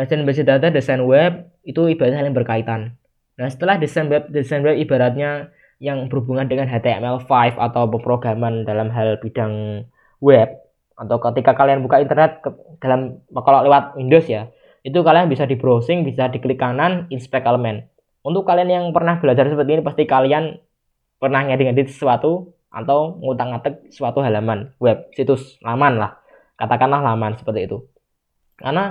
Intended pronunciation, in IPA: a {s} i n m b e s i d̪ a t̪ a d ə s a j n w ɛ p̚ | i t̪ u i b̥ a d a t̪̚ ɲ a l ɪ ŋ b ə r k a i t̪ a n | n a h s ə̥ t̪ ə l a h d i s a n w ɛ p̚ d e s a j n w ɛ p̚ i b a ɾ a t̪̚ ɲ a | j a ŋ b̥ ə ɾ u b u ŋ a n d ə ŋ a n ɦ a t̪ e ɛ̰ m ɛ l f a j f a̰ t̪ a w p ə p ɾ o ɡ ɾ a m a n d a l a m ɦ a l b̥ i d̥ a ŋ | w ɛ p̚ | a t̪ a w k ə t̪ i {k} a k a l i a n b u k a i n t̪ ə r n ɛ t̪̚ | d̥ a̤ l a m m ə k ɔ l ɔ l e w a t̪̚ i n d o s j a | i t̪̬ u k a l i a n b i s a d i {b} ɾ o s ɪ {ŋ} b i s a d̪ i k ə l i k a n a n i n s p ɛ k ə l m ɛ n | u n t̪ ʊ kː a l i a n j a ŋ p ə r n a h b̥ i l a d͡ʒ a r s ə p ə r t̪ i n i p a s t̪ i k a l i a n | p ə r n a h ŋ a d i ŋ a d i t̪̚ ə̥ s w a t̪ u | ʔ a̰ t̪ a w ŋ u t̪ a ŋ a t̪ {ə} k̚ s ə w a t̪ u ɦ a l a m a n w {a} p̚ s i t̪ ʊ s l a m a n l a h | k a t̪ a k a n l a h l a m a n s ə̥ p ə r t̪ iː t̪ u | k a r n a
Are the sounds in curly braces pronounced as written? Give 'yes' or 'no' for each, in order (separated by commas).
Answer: yes, yes, yes, yes, yes, no